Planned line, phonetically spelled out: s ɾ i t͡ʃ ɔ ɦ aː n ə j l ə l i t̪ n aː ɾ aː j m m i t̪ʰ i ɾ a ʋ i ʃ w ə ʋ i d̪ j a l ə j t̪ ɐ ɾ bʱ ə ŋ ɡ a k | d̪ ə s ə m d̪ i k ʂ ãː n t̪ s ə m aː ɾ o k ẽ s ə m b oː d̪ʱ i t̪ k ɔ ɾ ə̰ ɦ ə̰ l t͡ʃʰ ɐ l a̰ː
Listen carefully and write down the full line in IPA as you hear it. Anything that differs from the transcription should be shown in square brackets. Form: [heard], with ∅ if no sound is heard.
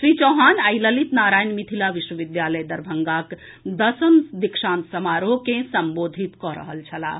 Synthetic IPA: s ɾ i t͡ʃ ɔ ɦ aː n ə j l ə l i t̪ n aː ɾ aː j [n] m i t̪ʰ i [l] a ʋ i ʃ w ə ʋ i d̪ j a l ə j [d̪] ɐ ɾ bʱ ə ŋ ɡ a k | d̪ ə s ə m d̪ i k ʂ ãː n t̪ s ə m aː ɾ o k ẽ s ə m b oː d̪ʱ i t̪ k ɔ ɾ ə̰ ɦ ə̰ l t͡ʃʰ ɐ l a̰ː

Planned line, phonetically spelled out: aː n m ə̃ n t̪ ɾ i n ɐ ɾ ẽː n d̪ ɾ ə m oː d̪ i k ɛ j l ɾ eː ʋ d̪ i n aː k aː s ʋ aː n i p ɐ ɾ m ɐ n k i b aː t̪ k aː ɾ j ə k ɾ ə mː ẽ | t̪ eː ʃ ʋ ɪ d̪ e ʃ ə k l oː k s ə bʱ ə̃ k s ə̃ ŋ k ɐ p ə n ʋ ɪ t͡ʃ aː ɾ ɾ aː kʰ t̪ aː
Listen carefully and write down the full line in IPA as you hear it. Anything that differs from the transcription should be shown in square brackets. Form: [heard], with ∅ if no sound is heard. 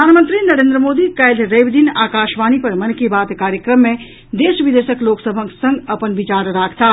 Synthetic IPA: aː n m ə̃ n t̪ ɾ i n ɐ ɾ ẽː n d̪ ɾ ə m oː d̪ i k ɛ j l ɾ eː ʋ d̪ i n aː k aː [ʃ] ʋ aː n i p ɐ ɾ m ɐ n k i b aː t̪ k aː ɾ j ə k ɾ ə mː ẽ | [d̪] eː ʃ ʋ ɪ d̪ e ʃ ə k l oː k s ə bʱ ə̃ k s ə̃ ŋ [ɡ] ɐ p ə n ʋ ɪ t͡ʃ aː ɾ ɾ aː kʰ t̪ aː

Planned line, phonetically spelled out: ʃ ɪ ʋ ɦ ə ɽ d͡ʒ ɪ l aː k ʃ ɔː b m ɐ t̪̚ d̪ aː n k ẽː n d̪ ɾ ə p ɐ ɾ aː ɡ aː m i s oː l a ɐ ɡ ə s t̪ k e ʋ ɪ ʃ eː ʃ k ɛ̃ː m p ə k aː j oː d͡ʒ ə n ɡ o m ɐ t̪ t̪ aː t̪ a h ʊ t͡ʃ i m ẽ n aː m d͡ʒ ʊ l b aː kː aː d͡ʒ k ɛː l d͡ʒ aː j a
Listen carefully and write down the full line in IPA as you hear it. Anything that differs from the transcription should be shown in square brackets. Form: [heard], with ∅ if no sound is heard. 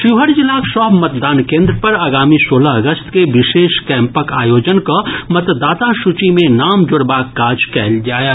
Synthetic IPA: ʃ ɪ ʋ ɦ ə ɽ d͡ʒ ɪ l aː k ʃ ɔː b m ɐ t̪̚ d̪ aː n k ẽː n d̪ ɾ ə p ɐ ɾ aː ɡ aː m i s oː l a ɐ ɡ ə s t̪ k e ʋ ɪ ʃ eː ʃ k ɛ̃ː m p ə k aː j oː d͡ʒ ə n [k] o m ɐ t̪ [d̪] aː t̪ a [ʃ] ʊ t͡ʃ i m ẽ n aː m d͡ʒ ʊ [ɽ] b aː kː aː d͡ʒ k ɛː l d͡ʒ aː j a

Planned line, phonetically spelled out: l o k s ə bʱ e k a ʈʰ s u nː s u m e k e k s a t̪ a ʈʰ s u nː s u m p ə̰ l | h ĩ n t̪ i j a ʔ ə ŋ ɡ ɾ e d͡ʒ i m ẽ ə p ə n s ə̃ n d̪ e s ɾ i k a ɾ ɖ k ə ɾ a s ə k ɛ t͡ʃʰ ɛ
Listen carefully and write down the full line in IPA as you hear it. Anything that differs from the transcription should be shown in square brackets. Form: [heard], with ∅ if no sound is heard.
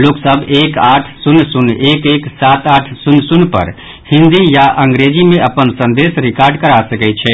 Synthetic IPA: l o k s ə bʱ e k a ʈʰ s u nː s u [n] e k e k s a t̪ a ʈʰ s u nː s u [n] p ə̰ [ɾ] | h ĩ n [d̪] i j a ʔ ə ŋ ɡ ɾ e d͡ʒ i m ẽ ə p ə n s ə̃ n d̪ e s ɾ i k a ɾ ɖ k ə ɾ a s ə k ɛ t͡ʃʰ ɛ

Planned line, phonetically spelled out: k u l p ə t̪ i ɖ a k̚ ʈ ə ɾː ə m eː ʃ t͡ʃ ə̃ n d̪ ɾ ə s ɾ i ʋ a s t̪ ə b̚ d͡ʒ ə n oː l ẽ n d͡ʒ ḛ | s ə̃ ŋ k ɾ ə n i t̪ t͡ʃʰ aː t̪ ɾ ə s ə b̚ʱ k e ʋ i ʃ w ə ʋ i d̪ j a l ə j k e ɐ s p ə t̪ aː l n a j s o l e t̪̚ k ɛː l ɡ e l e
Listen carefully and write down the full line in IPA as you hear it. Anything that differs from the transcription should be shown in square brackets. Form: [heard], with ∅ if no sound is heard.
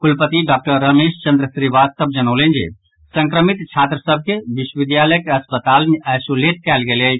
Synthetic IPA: k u l p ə t̪ i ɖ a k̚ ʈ ə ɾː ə m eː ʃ t͡ʃ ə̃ n d̪ ɾ ə s ɾ i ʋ a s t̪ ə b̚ d͡ʒ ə n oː l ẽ n d͡ʒ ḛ | s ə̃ ŋ k ɾ ə [m] i t̪ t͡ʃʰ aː t̪ ɾ ə s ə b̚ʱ k e ʋ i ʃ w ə ʋ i d̪ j a l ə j k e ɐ s p ə t̪ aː l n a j s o l e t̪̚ k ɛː l ɡ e l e

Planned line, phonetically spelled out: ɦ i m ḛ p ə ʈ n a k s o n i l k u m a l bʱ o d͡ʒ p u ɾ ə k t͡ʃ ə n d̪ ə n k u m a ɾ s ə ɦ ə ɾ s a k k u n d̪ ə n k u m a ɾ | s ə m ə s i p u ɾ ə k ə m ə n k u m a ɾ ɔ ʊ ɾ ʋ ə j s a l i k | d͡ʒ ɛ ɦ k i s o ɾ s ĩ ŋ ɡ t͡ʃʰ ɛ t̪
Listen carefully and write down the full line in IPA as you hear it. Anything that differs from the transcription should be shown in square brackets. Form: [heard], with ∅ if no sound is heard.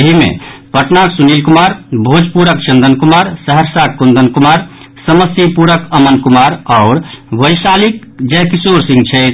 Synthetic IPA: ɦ i m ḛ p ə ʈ n a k s [u] n i l k u m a [ɾ] bʱ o d͡ʒ p u ɾ ə k t͡ʃ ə n d̪ ə n k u m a ɾ s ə ɦ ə ɾ s a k k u n d̪ ə n k u m a ɾ | s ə m ə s i p u ɾ ə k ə m ə n k u m a ɾ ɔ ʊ ɾ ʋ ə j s a l i k | d͡ʒ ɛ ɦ k i s o ɾ s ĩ ŋ ɡ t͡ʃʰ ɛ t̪

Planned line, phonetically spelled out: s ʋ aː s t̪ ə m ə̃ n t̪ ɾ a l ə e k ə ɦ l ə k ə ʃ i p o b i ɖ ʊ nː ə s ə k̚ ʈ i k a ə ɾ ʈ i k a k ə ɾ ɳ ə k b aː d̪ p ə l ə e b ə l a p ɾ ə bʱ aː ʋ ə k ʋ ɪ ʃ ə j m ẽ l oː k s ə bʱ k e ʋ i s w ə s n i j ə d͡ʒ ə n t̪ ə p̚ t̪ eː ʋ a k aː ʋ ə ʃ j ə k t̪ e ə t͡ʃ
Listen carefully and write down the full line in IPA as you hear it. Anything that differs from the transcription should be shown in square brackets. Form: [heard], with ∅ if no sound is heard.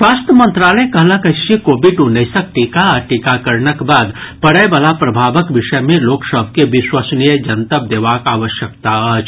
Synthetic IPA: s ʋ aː s t̪ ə m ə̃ n t̪ ɾ a l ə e k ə ɦ l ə k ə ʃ i [k] o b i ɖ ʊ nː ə s ə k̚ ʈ i k a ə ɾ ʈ i k a k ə ɾ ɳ ə k b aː d̪ p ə [ɽ] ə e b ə l a p ɾ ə bʱ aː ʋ ə k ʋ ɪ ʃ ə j m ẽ l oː k s ə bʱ k e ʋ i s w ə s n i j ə d͡ʒ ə n t̪ ə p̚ [d̪] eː ʋ a k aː ʋ ə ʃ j ə k t̪ [a] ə t͡ʃ

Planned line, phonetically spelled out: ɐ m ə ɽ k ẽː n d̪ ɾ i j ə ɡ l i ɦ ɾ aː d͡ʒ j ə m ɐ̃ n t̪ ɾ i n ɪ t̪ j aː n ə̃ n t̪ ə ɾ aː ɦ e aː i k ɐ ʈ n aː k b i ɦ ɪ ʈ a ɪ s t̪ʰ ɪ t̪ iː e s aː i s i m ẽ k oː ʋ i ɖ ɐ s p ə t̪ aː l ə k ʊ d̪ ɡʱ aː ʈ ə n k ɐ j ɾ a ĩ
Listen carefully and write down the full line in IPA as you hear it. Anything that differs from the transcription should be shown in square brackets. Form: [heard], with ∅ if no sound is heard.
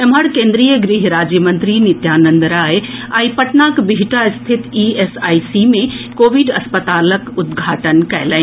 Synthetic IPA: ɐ m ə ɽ k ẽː n d̪ ɾ i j ə ɡ [ɾ] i ɦ ɾ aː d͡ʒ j ə m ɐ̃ n t̪ ɾ i n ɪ t̪ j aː n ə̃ n [d̪] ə ɾ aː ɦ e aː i [p] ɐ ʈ n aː k b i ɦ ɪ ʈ a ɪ s t̪ʰ ɪ t̪ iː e s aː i s i m ẽ k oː ʋ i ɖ ɐ s p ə t̪ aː l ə k ʊ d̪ ɡʱ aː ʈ ə n k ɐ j [l] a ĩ

